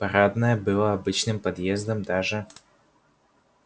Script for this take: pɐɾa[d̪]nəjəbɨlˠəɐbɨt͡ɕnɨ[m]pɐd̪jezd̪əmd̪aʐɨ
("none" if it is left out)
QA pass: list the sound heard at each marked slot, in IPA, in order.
d̪, m

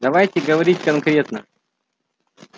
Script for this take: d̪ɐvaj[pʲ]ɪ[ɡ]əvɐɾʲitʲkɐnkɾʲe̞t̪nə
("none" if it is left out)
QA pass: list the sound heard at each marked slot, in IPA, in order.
tʲ, ɡ

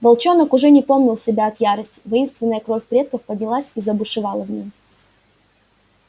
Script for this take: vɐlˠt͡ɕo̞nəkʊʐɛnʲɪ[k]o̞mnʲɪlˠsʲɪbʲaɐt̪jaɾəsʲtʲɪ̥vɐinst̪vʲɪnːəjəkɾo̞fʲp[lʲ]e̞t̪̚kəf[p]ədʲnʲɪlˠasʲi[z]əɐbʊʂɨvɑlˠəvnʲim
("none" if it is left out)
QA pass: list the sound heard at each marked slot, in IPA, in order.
p, ɾʲ, p, z

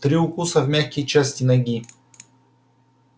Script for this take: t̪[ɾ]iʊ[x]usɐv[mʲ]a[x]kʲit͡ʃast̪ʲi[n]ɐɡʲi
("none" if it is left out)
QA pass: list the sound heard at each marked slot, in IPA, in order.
ɾ, k, mʲ, x, n

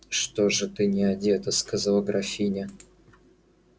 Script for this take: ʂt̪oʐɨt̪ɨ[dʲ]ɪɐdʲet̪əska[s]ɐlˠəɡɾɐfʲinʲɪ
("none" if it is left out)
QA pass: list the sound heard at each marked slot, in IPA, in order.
nʲ, z

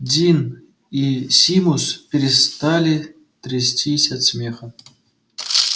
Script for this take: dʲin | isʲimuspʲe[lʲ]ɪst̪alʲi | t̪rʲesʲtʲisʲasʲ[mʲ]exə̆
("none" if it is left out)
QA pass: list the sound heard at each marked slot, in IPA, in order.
ɾʲ, mʲ

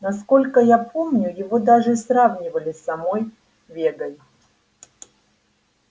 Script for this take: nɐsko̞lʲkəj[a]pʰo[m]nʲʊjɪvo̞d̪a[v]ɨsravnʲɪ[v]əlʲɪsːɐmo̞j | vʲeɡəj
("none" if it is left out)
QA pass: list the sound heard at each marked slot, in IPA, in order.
a, m, ʐ, v

